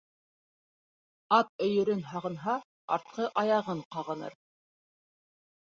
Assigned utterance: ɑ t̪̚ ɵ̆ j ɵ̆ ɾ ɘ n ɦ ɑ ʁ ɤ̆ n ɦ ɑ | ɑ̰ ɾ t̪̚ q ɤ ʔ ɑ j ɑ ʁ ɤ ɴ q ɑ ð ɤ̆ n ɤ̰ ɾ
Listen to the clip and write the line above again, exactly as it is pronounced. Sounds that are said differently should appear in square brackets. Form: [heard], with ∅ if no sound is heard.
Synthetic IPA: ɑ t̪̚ ɵ̆ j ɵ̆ ɾ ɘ n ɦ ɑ ʁ ɤ̆ n ɦ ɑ | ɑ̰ ɾ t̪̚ q ɤ ʔ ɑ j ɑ ʁ ɤ ɴ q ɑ [ʁ] ɤ̆ n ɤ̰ ɾ